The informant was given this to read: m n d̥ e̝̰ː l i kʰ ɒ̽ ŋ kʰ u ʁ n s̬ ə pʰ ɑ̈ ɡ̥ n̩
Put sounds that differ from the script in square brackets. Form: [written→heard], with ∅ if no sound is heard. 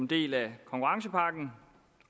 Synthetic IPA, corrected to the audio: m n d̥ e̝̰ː l [i→æ] kʰ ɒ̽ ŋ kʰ u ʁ [n→ŋ] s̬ ə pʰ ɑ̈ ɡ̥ n̩